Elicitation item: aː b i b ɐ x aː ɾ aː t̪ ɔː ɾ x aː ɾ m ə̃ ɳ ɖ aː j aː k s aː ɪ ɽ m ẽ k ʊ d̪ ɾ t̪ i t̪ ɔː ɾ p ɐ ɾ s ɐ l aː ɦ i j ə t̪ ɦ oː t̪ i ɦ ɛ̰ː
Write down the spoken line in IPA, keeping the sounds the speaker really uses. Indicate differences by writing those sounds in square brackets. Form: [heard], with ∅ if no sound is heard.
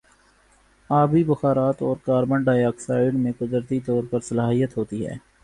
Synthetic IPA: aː b i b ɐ x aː ɾ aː t̪ ɔː ɾ [k] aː ɾ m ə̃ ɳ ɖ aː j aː k s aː ɪ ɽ m ẽ k ʊ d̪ ɾ t̪ i t̪ ɔː ɾ p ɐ ɾ s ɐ l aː ɦ i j ə t̪ ɦ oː t̪ i ɦ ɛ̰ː